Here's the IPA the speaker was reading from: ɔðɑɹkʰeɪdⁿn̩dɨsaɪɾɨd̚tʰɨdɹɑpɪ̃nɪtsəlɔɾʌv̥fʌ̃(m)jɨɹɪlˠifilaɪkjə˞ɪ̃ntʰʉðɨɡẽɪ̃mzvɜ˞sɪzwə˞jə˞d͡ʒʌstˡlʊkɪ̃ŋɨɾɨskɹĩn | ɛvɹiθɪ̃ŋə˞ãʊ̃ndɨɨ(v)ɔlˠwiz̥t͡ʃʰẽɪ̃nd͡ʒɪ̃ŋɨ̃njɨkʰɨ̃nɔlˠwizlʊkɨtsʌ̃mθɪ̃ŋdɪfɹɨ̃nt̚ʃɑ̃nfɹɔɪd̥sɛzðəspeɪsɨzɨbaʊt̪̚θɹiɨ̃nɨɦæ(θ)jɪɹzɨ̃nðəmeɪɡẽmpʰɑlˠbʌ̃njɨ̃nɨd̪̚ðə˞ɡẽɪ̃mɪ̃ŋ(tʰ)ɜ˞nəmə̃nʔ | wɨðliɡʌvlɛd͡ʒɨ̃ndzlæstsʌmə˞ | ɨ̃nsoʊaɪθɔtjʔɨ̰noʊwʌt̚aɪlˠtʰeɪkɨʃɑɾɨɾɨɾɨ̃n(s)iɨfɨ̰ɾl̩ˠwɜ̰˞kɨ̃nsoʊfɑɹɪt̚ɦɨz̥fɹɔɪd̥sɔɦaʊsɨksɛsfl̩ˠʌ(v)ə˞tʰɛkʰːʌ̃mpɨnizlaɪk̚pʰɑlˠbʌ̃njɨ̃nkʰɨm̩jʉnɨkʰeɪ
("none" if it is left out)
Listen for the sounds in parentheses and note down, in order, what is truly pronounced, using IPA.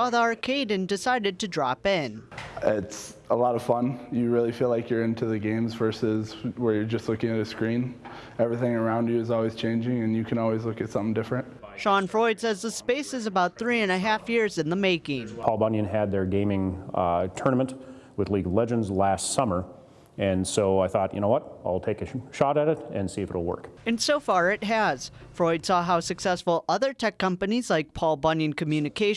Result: n, z, f, tʰ, s, ð

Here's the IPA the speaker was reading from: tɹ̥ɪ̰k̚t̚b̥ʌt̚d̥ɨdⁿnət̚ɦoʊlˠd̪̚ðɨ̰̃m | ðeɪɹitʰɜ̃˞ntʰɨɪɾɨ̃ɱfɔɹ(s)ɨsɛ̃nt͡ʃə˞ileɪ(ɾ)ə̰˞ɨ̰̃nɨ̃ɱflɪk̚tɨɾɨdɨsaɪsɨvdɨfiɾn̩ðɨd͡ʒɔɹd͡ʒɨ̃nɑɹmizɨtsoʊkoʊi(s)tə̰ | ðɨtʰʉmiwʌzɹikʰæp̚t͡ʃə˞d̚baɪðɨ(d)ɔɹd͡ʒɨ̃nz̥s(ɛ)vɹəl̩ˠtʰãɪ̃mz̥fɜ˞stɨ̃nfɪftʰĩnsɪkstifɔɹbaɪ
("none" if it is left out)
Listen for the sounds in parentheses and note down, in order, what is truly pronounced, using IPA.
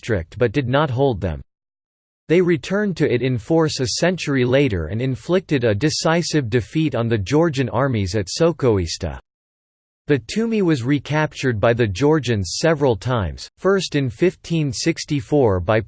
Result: s, ɾ, s, d͡ʒ, ɛ

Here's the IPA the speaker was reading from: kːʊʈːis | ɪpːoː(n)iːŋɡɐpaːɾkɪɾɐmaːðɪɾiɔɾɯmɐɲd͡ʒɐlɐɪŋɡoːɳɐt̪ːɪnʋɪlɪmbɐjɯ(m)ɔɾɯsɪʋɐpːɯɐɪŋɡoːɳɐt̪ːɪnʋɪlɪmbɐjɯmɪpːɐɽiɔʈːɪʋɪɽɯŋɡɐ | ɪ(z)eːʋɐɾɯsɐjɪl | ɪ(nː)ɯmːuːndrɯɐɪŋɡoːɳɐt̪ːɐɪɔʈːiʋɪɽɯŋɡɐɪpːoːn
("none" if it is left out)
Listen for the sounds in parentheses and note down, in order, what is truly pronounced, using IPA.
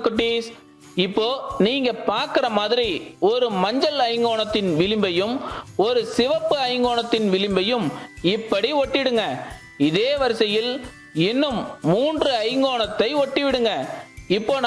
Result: n, m, ð, nː

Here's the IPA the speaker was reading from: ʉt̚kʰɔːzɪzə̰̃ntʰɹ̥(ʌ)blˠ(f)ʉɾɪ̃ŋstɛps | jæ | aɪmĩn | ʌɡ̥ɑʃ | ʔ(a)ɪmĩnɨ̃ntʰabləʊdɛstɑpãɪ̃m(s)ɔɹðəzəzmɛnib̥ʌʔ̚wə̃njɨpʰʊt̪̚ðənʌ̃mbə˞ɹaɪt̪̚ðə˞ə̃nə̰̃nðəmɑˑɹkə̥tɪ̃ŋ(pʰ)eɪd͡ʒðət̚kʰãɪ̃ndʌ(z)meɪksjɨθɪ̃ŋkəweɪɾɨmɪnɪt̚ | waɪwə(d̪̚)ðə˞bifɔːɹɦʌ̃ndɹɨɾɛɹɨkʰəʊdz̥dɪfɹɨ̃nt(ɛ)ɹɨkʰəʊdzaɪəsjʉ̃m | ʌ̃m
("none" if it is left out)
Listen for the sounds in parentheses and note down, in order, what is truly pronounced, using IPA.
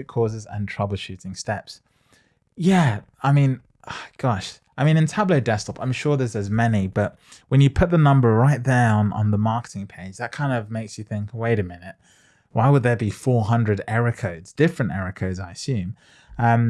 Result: ʌ, ʃ, a, ʃ, pʰ, v, d̪̚, ɛ

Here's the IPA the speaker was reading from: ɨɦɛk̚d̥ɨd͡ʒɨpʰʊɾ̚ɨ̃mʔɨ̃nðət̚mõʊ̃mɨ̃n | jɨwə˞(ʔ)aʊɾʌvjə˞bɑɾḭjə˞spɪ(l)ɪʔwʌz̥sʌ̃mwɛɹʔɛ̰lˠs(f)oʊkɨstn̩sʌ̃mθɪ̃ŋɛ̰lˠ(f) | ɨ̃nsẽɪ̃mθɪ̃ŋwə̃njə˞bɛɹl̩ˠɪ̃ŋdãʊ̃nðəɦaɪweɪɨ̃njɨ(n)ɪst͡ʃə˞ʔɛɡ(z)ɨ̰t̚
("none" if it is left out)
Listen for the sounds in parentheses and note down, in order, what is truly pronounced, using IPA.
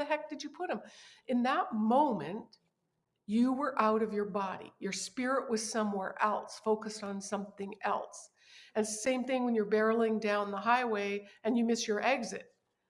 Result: ʔ, ɹ, f, s, m, z

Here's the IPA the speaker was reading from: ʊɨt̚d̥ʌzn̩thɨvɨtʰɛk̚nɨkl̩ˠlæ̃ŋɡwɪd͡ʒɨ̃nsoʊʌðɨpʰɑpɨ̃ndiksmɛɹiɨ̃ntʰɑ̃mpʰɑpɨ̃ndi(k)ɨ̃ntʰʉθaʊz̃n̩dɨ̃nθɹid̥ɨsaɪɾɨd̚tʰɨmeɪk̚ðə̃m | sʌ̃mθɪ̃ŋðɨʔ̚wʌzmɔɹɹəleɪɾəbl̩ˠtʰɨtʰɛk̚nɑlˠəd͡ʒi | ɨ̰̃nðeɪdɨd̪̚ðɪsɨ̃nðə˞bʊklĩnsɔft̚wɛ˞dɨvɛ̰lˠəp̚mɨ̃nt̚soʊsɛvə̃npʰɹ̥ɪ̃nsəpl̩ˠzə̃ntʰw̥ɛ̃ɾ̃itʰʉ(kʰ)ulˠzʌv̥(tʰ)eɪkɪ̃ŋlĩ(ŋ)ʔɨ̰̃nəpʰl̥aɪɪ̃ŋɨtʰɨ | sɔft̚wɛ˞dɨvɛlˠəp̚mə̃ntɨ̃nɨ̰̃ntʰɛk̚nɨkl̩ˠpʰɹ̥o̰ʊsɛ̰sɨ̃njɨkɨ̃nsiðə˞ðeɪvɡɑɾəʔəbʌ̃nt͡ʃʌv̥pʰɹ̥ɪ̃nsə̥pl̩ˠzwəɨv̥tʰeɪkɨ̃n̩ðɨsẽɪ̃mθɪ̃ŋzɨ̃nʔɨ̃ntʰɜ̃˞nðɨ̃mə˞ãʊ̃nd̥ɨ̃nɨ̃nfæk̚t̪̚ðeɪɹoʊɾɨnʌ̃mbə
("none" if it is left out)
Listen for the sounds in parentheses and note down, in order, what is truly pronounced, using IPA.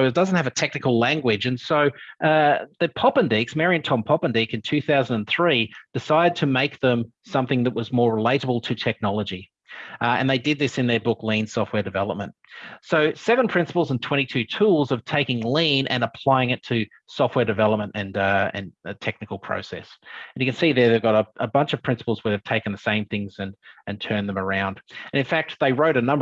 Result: k, tʰ, tʰ, n

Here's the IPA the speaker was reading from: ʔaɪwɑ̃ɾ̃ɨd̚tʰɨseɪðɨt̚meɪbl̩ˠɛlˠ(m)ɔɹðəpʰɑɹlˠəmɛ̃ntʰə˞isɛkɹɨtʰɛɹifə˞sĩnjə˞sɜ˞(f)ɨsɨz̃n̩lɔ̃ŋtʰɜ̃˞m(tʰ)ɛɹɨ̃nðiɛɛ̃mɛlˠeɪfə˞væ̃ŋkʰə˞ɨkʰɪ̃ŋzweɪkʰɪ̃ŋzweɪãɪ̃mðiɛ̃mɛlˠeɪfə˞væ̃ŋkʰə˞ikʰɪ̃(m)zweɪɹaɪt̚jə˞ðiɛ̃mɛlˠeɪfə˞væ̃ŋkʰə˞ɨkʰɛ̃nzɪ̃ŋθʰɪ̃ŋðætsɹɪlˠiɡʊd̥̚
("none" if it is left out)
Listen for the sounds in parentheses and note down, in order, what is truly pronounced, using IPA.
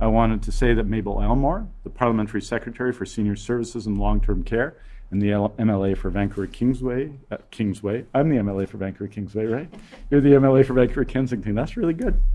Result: m, v, kʰ, ŋ

